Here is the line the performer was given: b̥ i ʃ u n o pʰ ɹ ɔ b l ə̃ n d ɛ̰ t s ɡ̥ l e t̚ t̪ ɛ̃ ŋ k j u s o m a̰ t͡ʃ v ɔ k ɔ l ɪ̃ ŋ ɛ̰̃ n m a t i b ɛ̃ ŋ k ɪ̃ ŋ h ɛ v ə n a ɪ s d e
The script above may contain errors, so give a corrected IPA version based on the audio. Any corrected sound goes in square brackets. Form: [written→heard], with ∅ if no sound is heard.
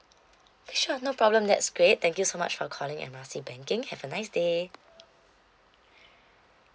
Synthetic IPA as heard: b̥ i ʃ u n o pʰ ɹ ɔ b l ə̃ [n→m] d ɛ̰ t s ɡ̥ [l→ɹ] e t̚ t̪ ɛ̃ ŋ k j u s o m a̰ t͡ʃ [v→f] ɔ [k→kʰ] ɔ l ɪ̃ ŋ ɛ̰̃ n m a [t→s] i b ɛ̃ ŋ k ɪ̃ ŋ h ɛ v ə n a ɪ s d e

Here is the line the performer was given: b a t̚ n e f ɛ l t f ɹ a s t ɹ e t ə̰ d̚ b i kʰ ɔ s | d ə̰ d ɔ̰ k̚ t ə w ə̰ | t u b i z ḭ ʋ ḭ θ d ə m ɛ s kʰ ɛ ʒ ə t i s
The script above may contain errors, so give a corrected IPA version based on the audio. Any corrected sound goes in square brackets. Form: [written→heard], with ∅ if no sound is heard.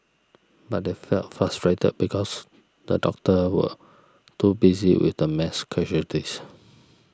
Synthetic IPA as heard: b a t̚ [n→d] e f ɛ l t f ɹ a s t ɹ e t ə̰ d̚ b i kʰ ɔ s | d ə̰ d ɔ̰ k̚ t ə w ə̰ | t u b i z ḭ [ʋ→w] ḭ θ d ə m ɛ s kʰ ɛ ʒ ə t i s

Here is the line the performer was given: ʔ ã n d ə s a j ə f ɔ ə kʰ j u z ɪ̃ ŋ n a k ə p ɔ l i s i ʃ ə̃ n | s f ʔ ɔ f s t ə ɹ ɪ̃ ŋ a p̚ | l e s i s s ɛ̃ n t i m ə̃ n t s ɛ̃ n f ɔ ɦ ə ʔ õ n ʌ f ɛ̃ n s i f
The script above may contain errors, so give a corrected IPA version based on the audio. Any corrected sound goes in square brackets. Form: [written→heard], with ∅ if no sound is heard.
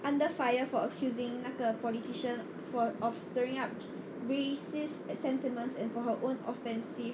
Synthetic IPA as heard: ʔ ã n d ə [s→f] a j ə f ɔ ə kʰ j u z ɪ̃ ŋ n a k ə p ɔ l i [s→t] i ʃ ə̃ n | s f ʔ ɔ f s t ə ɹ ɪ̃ ŋ a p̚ | [l→ɹ] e s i s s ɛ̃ n t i m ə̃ n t s ɛ̃ n f ɔ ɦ ə ʔ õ n [ʌ→ɔ] f ɛ̃ n s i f

